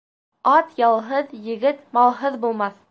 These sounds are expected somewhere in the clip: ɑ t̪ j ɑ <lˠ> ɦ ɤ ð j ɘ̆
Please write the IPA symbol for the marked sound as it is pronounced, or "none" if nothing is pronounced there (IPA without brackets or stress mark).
lˠ